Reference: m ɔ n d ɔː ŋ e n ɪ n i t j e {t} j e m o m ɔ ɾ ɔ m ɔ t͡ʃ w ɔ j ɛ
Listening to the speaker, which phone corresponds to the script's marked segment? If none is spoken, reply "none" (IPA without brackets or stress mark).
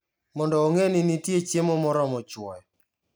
t͡ʃ